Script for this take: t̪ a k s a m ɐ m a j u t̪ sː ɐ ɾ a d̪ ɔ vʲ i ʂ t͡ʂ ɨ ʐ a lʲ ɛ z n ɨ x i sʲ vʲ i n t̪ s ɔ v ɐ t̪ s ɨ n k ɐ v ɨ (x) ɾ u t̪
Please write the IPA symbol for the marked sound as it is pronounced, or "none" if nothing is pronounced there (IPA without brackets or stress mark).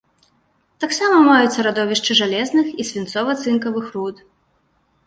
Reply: x